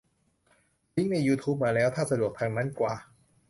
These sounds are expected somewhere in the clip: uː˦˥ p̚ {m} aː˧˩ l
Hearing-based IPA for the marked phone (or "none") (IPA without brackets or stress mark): m